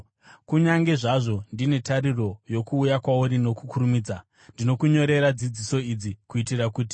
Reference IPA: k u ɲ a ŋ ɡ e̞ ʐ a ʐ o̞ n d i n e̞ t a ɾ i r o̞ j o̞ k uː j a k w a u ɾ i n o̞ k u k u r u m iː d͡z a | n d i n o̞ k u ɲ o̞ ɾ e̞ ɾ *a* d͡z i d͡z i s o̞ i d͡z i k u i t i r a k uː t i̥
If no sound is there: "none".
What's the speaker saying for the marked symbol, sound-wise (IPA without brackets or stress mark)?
a